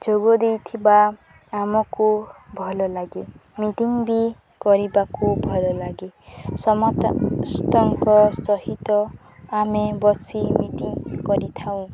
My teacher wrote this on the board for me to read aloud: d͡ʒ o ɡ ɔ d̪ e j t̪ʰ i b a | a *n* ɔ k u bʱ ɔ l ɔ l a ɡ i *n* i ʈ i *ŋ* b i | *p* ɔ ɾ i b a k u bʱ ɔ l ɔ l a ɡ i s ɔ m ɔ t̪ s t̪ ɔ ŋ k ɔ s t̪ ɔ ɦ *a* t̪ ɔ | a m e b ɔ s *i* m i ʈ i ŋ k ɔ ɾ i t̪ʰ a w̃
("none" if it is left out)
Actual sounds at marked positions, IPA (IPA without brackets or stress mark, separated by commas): m, m, ŋ, k, i, i